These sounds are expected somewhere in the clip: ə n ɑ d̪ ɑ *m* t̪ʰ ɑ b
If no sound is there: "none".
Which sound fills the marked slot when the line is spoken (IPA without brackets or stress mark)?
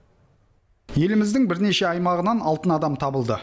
m